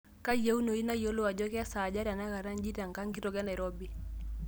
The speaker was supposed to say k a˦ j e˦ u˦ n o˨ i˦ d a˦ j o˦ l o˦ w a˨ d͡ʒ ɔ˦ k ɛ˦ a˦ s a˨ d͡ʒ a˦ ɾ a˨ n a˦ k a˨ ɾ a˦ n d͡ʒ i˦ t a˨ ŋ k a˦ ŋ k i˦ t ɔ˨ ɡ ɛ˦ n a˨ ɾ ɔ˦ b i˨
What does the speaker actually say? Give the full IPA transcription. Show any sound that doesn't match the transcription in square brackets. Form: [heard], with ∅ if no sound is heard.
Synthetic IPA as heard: k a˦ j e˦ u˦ n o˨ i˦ [n] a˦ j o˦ l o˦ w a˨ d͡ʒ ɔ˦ k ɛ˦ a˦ s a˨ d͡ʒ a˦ ɾ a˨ n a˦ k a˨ ɾ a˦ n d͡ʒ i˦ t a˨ ŋ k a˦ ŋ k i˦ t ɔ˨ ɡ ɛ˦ n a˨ ɾ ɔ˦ b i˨